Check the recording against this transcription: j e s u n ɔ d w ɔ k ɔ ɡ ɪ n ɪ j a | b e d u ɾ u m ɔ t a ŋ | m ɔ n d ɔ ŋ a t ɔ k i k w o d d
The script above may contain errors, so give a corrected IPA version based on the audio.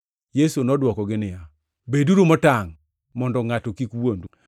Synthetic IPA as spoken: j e s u n ɔ d w ɔ k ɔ ɡ ɪ n ɪ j a | b e d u ɾ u m ɔ t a ŋ | m ɔ n d ɔ ŋ a t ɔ k i k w o n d